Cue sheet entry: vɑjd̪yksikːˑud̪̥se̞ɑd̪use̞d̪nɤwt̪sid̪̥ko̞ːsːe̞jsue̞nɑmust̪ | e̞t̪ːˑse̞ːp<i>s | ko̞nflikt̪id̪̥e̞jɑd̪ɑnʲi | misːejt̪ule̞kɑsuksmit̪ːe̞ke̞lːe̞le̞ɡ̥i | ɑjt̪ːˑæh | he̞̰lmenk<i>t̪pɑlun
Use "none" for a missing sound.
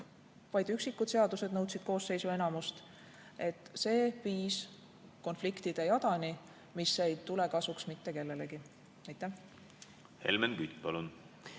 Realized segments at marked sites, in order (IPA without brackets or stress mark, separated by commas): iː, y